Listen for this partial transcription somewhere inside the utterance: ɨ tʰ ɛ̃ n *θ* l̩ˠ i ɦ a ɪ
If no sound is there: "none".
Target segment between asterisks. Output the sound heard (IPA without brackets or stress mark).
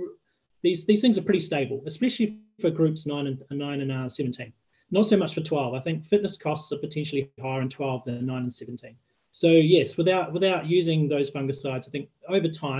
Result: ʃ